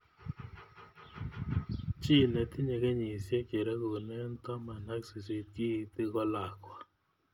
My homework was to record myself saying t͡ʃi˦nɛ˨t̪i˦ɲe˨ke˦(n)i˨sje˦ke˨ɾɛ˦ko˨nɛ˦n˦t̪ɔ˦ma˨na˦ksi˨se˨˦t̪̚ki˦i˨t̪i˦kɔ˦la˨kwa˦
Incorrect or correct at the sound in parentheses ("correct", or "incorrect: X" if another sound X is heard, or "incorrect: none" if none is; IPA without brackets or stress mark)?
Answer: incorrect: ɲ